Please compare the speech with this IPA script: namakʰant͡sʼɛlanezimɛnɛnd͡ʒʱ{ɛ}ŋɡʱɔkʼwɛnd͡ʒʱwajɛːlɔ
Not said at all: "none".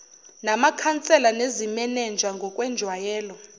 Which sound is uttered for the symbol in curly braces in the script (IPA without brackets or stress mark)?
a